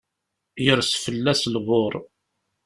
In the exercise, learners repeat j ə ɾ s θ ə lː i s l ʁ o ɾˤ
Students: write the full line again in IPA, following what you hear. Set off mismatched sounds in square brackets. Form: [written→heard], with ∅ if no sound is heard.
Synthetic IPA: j ə ɾ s [θ→f] ə lː [i→æ] s l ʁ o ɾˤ